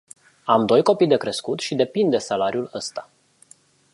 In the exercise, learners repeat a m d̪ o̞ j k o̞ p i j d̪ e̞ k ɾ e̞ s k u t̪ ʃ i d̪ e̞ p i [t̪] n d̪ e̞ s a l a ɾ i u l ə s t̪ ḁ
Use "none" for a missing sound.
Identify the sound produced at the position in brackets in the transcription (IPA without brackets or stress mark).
none